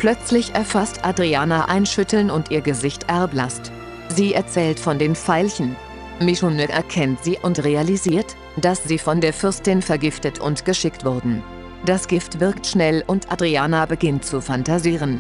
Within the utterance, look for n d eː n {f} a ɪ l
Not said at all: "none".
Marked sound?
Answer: f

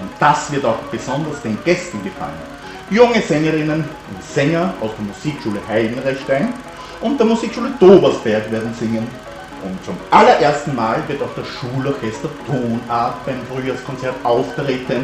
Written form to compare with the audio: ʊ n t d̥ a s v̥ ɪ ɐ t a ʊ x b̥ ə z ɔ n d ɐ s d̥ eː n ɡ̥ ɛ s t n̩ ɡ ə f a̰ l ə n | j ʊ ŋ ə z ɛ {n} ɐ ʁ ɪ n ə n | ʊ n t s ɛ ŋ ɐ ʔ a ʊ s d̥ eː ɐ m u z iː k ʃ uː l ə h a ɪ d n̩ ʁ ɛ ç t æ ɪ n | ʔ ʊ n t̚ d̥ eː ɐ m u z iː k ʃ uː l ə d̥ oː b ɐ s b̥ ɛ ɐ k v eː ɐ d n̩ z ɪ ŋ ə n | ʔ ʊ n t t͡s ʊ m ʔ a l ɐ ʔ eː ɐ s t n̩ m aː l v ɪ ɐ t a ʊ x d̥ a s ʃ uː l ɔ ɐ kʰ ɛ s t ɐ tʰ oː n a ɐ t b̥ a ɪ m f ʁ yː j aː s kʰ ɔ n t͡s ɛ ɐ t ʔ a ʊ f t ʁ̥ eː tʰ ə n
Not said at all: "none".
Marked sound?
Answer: ŋ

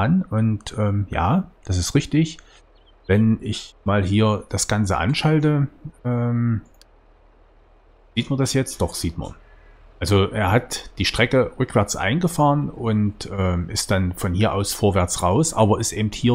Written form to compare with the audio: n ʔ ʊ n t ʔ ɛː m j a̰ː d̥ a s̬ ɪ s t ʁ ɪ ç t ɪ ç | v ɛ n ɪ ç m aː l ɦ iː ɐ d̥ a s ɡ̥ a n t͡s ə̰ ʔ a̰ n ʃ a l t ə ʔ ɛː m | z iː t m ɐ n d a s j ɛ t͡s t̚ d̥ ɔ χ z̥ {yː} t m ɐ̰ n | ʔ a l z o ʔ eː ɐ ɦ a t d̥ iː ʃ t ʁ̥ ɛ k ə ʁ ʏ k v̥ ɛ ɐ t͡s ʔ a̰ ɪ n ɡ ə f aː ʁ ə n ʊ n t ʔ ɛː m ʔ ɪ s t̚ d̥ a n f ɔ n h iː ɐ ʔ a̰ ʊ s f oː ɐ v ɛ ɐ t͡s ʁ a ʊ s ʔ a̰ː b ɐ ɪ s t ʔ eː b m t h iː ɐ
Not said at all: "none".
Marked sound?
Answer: iː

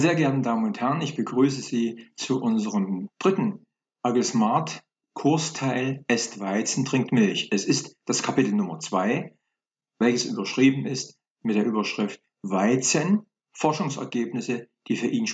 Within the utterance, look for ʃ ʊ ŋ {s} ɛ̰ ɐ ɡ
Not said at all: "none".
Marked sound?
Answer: s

